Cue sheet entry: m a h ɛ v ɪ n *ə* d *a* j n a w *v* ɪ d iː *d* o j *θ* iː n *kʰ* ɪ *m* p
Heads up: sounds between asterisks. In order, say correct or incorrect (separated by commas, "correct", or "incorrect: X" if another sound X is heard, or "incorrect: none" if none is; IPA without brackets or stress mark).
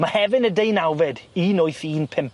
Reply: correct, incorrect: e, correct, incorrect: n, correct, incorrect: pʰ, correct